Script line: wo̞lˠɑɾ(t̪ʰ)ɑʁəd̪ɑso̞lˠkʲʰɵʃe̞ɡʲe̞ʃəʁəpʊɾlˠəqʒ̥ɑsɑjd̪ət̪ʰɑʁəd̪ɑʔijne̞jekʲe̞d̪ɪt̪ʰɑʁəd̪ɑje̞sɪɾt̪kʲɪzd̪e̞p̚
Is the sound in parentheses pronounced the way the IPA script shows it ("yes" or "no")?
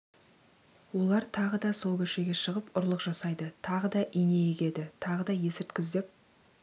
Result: yes